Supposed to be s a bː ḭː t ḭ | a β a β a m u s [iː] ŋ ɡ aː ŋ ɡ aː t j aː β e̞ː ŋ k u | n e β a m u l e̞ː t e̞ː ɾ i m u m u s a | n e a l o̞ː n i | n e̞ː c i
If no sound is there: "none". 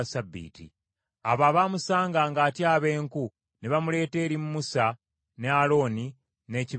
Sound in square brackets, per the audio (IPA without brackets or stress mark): aː